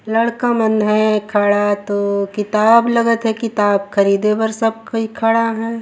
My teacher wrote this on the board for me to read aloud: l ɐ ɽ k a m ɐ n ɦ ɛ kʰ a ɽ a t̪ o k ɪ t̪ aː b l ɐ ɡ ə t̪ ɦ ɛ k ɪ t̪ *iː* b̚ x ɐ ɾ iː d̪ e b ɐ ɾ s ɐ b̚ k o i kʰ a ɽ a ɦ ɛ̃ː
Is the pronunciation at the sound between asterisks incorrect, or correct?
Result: incorrect